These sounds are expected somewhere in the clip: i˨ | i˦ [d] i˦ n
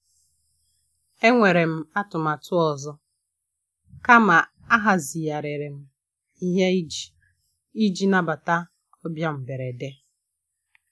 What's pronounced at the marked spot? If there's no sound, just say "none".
d͡ʒ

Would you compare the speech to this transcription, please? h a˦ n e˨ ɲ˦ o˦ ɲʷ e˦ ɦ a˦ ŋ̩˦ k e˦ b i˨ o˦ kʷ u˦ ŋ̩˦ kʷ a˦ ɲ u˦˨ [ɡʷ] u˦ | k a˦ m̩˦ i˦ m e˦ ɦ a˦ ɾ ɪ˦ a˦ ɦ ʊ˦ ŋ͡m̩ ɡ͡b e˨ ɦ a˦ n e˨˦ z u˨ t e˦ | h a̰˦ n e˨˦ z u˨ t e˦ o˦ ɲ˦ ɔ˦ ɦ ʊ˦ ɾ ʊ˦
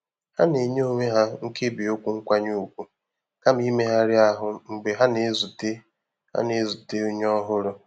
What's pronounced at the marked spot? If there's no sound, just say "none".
kʷ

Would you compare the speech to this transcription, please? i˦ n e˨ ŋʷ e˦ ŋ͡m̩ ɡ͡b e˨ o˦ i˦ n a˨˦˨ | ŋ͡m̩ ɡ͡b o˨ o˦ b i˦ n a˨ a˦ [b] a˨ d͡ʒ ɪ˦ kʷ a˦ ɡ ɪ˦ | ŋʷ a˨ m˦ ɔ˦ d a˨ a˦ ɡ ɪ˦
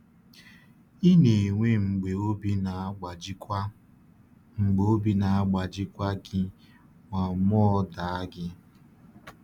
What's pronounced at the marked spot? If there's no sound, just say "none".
ɡ͡b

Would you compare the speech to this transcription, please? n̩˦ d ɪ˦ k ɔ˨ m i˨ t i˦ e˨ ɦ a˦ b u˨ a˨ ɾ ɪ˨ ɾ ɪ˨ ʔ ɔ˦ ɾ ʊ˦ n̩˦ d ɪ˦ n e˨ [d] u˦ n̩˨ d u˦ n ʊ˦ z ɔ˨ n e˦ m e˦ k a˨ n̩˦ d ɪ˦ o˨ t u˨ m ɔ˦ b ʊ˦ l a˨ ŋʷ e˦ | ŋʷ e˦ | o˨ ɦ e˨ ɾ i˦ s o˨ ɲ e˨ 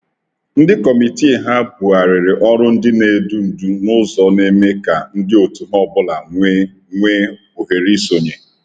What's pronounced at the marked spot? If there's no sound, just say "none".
d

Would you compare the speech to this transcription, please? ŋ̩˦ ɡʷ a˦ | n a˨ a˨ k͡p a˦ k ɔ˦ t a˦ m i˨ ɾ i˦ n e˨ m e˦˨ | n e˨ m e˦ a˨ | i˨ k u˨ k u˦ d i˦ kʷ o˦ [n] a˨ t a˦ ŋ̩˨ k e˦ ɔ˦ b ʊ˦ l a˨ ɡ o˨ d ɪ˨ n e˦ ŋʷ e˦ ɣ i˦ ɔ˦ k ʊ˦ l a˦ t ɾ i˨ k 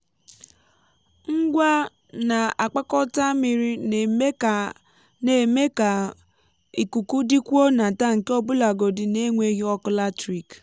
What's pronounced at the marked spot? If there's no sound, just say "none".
n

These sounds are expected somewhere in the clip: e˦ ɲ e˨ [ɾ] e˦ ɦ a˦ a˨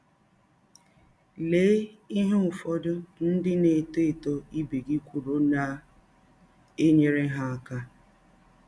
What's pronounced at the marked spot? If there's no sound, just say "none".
ɾ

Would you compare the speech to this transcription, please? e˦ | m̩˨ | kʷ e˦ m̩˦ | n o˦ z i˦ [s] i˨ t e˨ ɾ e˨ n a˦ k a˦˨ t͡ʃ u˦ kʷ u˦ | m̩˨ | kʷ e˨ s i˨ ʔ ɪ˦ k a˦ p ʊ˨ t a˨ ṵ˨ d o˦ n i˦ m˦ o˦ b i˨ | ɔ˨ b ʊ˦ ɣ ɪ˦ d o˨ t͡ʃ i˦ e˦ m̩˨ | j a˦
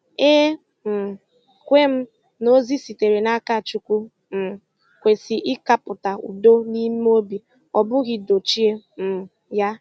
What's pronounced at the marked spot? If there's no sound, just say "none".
s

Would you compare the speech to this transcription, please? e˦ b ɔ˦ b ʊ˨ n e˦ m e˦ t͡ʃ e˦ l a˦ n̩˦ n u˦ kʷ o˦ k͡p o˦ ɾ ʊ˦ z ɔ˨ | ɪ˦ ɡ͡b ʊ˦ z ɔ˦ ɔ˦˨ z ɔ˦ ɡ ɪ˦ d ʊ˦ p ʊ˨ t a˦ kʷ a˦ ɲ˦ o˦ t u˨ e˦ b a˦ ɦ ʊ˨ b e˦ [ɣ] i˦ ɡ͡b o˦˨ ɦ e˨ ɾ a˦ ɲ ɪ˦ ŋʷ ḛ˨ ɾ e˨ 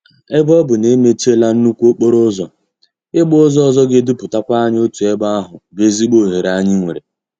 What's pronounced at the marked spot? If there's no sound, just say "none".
z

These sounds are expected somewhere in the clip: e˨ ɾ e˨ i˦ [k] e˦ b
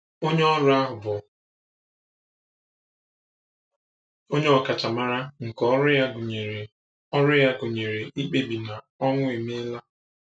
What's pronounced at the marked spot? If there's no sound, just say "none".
k͡p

